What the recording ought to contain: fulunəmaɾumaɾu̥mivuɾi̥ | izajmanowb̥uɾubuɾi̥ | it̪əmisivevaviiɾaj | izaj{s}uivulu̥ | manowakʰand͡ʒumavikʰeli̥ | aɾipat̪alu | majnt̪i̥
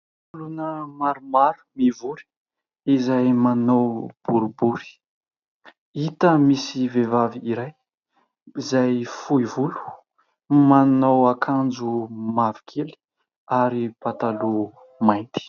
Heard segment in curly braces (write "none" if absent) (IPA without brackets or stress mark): f